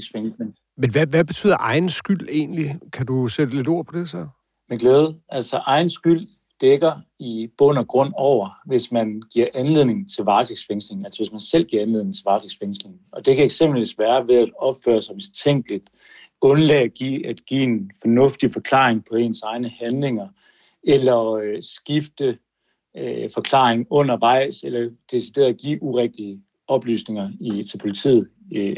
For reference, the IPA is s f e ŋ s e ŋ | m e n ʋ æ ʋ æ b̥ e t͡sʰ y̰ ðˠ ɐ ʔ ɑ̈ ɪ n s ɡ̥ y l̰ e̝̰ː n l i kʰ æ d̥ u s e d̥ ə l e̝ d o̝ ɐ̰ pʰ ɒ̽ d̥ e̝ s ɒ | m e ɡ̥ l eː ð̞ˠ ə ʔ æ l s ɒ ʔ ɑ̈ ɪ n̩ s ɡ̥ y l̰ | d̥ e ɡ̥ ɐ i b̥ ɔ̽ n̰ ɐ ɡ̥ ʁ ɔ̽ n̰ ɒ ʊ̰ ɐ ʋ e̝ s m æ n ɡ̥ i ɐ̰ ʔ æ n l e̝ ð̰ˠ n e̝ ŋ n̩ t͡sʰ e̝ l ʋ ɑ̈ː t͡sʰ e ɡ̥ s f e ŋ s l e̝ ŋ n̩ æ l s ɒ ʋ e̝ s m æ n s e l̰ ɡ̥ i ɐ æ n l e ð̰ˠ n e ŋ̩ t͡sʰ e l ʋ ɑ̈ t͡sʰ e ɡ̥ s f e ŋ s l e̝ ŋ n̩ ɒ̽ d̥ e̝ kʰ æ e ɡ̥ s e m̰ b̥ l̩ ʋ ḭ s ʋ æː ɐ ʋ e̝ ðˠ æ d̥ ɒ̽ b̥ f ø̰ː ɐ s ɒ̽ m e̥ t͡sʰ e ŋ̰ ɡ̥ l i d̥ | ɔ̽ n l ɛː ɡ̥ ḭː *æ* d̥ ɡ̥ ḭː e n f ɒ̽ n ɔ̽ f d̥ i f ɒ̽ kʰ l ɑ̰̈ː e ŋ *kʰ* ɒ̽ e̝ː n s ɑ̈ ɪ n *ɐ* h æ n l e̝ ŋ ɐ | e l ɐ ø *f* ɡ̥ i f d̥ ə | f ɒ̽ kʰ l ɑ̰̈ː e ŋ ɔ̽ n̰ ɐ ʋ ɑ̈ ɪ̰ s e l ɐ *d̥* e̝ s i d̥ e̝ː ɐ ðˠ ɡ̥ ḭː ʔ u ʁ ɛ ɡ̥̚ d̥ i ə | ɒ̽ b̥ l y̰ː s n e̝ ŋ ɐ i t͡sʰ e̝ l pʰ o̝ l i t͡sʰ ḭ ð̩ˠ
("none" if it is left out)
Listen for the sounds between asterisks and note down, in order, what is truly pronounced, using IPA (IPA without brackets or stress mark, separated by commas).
æ, pʰ, ə, s, d̥